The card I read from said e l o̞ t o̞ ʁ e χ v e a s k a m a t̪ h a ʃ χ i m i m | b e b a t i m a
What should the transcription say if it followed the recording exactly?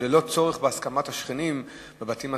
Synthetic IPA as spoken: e l o̞ t͡s o̞ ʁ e χ b e a s k a m a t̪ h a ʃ χ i n i m | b e b a t i m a